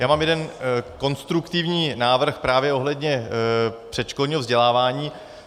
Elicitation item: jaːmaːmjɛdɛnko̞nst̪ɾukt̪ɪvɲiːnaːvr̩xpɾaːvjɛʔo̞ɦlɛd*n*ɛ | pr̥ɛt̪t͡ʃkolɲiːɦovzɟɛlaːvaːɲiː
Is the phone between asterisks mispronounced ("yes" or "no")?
yes